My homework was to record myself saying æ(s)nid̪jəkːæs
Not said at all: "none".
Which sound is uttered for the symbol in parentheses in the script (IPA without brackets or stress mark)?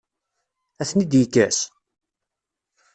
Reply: θ